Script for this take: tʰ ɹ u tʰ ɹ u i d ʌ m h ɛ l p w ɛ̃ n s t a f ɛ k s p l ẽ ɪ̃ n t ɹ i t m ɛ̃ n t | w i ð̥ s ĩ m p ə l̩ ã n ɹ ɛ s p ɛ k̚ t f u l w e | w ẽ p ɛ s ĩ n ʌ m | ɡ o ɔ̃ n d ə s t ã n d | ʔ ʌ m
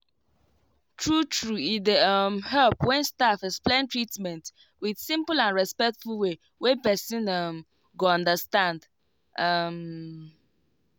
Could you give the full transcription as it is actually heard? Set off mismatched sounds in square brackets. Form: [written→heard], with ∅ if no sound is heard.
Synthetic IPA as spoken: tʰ ɹ u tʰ ɹ u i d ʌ m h ɛ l p w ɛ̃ n s t a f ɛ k s p l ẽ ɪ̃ n t ɹ i t m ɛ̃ n t | w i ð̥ s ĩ m p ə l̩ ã n ɹ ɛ s p ɛ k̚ t f u l w e | w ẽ p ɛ s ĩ n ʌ m | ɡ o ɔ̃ n d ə s t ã n d | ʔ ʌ m